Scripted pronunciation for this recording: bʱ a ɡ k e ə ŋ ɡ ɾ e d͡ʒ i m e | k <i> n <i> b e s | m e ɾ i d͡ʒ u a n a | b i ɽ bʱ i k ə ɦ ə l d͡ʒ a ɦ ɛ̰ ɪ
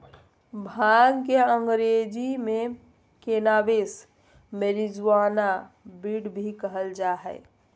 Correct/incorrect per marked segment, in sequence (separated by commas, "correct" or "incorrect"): incorrect, incorrect